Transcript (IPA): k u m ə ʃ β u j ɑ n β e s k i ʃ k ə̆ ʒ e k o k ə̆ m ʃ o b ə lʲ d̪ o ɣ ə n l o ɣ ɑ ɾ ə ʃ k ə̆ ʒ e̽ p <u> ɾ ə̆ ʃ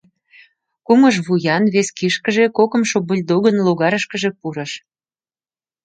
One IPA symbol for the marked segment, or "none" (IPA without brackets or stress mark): u